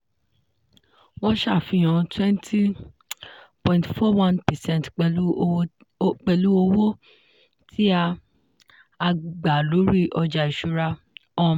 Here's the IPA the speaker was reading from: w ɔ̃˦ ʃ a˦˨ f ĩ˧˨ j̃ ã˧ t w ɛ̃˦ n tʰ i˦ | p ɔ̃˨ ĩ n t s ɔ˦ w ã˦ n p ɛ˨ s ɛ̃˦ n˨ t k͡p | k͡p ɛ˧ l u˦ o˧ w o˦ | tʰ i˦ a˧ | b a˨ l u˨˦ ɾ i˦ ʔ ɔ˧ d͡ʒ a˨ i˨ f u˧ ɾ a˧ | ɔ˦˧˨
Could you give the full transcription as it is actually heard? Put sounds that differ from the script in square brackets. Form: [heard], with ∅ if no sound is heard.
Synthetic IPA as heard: w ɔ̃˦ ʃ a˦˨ f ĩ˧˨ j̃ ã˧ t w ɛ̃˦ n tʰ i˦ | p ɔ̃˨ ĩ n t [f] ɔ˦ w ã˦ n p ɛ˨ s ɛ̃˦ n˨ t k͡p | k͡p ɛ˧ l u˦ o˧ w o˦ | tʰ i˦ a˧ | [ɡ͡b] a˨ l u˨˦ ɾ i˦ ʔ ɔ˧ d͡ʒ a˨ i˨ [ʃ] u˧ ɾ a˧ | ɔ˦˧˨